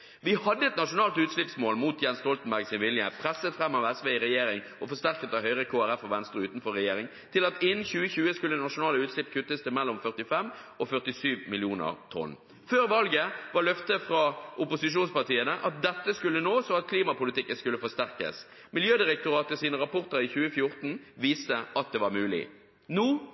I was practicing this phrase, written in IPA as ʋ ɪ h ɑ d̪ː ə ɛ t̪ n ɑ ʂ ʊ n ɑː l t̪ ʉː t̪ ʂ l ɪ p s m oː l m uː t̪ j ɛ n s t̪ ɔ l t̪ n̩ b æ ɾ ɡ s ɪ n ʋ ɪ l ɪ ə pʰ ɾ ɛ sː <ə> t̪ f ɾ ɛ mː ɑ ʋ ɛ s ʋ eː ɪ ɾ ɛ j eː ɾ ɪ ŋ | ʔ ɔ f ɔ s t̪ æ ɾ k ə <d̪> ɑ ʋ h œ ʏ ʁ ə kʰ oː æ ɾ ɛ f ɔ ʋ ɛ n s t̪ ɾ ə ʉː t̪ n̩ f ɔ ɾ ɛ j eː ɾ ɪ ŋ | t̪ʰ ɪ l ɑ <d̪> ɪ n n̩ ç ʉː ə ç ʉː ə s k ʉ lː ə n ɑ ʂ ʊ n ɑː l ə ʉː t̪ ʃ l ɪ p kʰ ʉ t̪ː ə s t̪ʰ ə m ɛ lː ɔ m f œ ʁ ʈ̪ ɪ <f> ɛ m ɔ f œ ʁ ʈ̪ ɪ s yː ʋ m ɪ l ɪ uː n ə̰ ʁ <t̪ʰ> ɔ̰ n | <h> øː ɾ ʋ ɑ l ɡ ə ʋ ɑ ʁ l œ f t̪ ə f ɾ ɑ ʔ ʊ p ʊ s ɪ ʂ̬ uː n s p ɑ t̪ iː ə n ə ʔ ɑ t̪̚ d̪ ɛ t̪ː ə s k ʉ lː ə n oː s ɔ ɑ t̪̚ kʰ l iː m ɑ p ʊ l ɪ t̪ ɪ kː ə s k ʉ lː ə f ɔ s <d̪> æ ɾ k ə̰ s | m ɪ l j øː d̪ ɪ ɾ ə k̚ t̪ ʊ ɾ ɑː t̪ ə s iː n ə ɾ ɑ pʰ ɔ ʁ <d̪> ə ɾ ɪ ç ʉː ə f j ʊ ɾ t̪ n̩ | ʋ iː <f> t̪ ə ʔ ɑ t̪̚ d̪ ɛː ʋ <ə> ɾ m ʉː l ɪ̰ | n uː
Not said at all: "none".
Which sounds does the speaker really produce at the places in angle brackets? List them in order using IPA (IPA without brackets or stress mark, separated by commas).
ə, t̪, t̪, f, t̪ʰ, f, t̪, t̪, s, ɑ